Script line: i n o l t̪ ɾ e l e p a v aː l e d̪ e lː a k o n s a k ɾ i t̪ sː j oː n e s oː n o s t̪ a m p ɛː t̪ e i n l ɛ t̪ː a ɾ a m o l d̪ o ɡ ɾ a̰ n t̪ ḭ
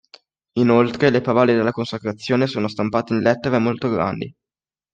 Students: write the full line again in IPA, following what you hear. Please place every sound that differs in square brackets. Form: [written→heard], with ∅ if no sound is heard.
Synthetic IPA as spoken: i n o l t̪ ɾ e l e p a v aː l e d̪ e lː a k o n s a k ɾ [i→a] t̪ sː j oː n e s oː n o s t̪ a m p [ɛː→aː] t̪ e i n l ɛ t̪ː [a→e] ɾ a m o l [d̪→t̪] o ɡ ɾ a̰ n [t̪→d̪] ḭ